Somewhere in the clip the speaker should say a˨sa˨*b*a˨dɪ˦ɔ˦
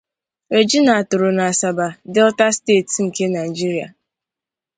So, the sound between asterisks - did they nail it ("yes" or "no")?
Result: yes